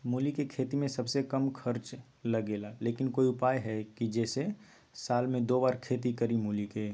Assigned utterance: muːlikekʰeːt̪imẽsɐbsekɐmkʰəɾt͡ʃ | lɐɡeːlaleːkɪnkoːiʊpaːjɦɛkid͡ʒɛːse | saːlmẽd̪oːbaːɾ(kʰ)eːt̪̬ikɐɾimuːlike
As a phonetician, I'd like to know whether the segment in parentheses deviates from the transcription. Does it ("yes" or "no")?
no